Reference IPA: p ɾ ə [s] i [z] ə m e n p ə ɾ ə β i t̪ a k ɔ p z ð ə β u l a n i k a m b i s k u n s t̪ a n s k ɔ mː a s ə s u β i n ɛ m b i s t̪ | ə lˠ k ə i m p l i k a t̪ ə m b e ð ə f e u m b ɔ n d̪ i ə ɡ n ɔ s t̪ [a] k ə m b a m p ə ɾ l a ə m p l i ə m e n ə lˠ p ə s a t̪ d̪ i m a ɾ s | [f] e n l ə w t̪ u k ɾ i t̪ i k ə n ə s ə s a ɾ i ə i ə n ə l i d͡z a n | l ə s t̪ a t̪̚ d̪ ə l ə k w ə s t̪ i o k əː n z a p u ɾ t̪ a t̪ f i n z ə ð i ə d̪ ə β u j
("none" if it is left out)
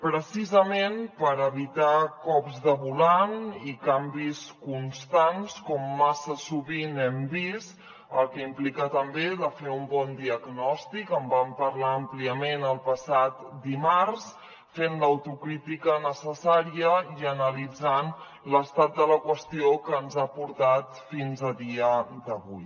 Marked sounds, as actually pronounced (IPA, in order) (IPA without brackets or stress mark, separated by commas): s, z, i, f